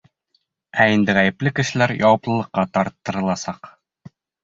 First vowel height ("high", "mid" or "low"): low